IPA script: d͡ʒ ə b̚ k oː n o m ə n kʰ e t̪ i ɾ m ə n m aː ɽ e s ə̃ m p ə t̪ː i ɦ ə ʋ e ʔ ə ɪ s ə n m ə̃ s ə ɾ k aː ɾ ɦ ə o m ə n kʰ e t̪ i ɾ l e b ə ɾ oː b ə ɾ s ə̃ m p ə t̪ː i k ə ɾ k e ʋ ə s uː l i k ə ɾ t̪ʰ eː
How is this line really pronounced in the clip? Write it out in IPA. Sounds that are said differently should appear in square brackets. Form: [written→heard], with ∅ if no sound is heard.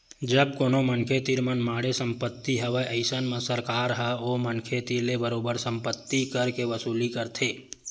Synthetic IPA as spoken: d͡ʒ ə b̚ k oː n o m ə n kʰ e t̪ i ɾ m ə n m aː ɽ e s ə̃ m p ə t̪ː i ɦ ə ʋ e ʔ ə ɪ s ə n m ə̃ s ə ɾ k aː ɾ ɦ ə o m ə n kʰ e t̪ i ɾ l e b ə ɾ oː b ə ɾ s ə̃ m p ə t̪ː i k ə ɾ k e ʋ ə s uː l i k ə ɾ t̪ʰ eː